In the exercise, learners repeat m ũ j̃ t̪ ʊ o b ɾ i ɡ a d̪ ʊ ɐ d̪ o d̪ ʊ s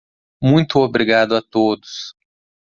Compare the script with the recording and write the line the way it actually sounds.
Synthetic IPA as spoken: m ũ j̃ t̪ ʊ o b ɾ i ɡ a d̪ ʊ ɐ t̪ o d̪ ʊ s

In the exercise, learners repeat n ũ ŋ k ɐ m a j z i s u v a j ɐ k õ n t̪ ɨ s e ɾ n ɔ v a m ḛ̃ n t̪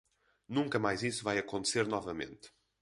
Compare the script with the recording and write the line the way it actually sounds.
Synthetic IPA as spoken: n ũ ŋ k ɐ m a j z i s u v a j ɐ k õ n t̪ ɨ s e ɾ n ɔ v ɐ m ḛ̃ n t̪

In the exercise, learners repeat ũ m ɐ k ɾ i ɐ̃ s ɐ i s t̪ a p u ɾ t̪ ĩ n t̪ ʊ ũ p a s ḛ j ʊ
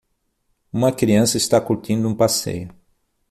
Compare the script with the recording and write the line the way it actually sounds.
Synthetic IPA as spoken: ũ m ɐ k ɾ i ɐ̃ s ɐ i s t̪ a k u ɾ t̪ ĩ n d̪ ʊ ũ p a s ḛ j ʊ

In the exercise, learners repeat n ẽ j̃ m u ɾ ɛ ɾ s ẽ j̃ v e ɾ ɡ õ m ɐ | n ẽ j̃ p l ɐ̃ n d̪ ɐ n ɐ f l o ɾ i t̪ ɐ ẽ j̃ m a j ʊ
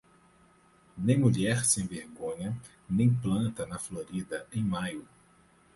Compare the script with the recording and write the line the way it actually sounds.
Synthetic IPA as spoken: n ẽ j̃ m u ʎ ɛ ɾ s ẽ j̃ v e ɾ ɡ õ ɲ ɐ | n ẽ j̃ p l ɐ̃ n t̪ ɐ n ɐ f l o ɾ i d̪ ɐ ẽ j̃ m a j ʊ

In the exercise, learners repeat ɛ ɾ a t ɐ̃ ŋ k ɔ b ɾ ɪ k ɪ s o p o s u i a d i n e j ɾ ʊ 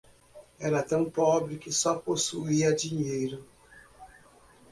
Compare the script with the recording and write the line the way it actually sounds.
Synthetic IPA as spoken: ɛ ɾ a t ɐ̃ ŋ p ɔ b ɾ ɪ k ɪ s ɔ p o s u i a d i ɲ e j ɾ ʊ

